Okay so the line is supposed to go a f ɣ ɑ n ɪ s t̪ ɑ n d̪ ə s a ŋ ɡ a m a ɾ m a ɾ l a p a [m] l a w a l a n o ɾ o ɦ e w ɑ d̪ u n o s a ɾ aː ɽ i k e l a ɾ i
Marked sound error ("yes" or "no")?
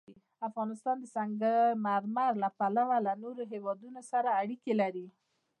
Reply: yes